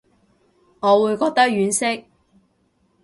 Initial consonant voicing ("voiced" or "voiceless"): voiced